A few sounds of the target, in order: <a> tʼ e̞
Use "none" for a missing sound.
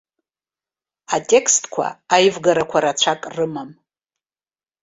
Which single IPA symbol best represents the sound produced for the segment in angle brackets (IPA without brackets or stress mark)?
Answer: a